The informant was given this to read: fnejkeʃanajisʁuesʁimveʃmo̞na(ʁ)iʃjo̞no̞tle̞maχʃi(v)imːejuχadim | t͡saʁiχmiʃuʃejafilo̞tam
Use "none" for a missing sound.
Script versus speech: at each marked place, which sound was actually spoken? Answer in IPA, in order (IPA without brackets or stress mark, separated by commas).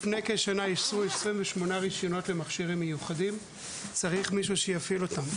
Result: ʁ, ʁ